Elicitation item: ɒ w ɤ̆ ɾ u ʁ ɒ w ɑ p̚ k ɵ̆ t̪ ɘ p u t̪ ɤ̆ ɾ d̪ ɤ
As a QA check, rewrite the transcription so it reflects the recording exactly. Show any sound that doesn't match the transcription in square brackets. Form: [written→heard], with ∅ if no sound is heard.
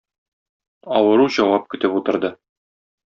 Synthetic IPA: ɒ w ɤ̆ ɾ u [ʁ→ʑ] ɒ w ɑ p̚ k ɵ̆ t̪ ɘ p u t̪ ɤ̆ ɾ d̪ ɤ